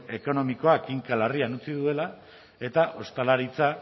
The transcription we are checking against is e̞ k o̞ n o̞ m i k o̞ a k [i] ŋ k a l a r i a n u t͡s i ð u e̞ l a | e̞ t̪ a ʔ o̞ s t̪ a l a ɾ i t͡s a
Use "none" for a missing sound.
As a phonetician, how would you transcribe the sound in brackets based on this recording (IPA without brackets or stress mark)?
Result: i